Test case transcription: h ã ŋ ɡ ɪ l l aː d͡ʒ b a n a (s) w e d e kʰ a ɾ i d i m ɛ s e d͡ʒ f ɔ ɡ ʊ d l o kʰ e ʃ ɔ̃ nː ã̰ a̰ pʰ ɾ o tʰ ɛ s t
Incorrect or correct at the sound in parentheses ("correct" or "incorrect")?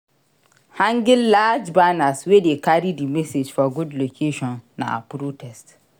correct